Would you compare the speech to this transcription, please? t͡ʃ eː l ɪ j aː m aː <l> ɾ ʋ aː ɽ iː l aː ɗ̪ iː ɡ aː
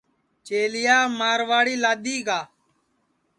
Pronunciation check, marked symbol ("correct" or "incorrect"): incorrect